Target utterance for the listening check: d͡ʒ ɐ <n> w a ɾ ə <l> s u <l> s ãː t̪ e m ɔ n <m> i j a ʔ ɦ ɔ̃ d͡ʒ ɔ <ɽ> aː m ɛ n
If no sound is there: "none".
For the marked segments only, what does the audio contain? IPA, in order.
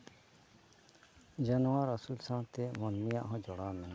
n, none, l, m, ɽ

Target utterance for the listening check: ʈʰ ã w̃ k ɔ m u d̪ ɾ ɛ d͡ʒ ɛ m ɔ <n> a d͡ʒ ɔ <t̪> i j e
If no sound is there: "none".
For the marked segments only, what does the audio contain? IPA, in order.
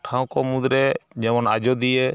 n, d̪

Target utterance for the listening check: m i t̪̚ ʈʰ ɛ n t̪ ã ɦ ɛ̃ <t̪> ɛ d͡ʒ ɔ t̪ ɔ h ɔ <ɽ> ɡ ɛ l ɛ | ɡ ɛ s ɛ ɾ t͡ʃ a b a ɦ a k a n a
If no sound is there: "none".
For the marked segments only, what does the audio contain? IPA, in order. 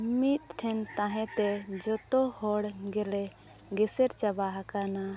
t̪, ɽ

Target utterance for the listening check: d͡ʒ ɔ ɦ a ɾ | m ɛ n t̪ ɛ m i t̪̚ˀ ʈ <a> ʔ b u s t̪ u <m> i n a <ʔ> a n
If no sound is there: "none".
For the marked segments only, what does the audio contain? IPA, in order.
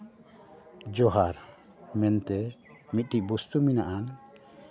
i, m, ʔ

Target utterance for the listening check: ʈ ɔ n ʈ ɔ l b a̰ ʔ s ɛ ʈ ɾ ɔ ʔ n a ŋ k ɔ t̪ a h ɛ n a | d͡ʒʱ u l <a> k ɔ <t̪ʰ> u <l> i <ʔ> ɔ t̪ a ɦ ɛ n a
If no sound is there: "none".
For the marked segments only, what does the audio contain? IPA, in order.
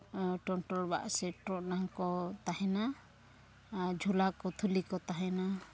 a, t̪ʰ, l, k

